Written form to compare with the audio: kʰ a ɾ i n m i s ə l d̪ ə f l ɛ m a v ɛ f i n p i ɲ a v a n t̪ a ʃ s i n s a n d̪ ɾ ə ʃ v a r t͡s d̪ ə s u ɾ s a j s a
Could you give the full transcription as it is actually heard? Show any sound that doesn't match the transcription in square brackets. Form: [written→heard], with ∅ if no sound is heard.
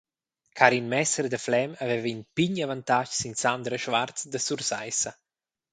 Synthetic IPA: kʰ a ɾ i n m [i→ɛ] s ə [l→ɾ] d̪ ə f l ɛ m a v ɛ [f→v] i n p i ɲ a v a n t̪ a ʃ s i n s a n d̪ ɾ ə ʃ v a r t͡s d̪ ə s u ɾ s a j s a